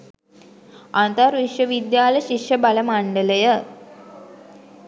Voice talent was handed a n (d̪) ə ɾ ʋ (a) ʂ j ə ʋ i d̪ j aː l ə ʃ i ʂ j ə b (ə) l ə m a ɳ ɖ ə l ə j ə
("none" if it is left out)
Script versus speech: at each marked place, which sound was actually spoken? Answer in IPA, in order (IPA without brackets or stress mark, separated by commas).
t̪, i, a